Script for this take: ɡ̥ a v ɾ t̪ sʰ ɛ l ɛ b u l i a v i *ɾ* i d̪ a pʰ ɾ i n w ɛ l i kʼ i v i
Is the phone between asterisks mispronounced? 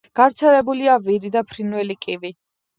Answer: no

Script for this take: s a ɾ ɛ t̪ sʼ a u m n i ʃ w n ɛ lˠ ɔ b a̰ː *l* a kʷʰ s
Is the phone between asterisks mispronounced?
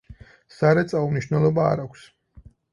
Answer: yes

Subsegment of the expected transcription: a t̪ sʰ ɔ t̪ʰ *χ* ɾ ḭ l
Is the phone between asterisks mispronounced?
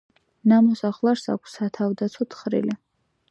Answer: no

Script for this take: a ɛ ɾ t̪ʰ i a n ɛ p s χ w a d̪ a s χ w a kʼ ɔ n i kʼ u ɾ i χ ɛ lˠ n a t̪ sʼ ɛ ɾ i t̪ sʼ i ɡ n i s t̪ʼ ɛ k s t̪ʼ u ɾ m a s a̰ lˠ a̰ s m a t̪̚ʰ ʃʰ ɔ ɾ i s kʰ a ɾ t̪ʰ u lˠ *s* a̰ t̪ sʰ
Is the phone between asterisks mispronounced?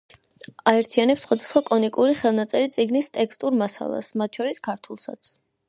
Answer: no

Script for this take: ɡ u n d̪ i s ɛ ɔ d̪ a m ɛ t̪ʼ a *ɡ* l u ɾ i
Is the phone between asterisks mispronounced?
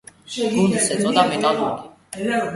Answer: yes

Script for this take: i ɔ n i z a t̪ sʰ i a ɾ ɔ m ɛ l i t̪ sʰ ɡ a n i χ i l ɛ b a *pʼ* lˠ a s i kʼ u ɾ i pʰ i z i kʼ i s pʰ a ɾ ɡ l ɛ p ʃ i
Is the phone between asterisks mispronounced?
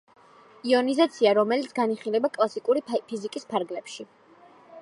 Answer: yes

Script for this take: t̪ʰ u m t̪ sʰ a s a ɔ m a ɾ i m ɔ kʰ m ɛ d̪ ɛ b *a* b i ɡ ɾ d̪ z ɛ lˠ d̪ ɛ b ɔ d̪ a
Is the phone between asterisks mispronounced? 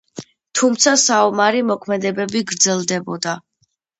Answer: yes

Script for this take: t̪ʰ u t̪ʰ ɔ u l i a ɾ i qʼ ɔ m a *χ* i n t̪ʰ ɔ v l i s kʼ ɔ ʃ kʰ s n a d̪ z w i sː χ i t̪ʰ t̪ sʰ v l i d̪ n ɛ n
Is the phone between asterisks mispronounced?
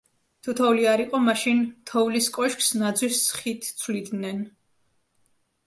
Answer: yes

